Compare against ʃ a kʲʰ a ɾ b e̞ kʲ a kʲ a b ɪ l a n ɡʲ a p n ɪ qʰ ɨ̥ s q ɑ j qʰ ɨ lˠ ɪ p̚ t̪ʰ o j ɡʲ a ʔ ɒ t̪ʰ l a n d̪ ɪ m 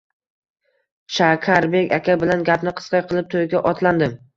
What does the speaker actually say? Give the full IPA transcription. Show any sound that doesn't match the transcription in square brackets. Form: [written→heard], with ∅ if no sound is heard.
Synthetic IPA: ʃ a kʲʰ a ɾ b e̞ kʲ a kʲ a b ɪ l a n ɡʲ a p n ɪ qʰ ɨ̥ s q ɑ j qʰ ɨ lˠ ɪ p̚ t̪ʰ o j ɡʲ a ʔ ɒ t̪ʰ l a n d̪ ɪ m